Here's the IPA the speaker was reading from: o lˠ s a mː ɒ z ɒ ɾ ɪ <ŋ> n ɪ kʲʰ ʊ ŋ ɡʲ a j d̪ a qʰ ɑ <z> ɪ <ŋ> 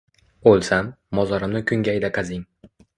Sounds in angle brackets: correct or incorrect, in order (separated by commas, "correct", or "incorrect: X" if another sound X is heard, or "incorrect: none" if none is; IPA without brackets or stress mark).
incorrect: m, correct, correct